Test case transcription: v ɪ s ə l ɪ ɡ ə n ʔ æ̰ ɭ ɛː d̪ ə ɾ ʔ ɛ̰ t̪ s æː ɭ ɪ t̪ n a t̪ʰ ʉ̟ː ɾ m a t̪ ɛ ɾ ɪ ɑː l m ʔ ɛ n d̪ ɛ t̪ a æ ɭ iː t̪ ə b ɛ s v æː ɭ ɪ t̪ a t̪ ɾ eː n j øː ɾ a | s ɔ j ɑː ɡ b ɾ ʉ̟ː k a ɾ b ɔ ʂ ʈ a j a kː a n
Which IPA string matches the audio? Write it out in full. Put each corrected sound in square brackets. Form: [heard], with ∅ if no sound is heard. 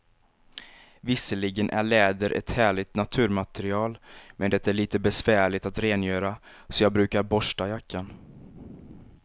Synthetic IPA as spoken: v ɪ s ə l ɪ ɡ ə n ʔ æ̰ ɭ ɛː d̪ ə ɾ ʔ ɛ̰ t̪ [h] æː ɭ ɪ t̪ n a t̪ʰ ʉ̟ː ɾ m a t̪ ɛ ɾ ɪ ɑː l m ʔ ɛ n d̪ ɛ t̪ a æ ɭ iː t̪ ə b ɛ s v æː ɭ ɪ t̪ a t̪ ɾ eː n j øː ɾ a | s ɔ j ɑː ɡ b ɾ ʉ̟ː k a ɾ b ɔ ʂ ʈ a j a kː a n